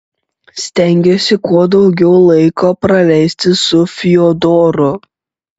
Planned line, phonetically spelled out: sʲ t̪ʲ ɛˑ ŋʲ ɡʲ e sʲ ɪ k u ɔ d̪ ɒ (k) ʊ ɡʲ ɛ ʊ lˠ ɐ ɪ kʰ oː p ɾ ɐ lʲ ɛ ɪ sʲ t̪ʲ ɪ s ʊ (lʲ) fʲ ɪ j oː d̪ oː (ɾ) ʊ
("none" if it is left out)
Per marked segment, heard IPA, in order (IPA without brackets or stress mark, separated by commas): none, none, ɾ